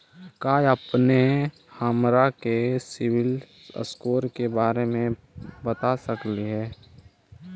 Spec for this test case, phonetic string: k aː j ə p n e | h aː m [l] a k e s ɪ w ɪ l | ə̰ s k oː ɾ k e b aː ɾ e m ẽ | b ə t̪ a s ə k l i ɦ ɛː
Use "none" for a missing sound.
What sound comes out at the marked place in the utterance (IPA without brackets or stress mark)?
ɾ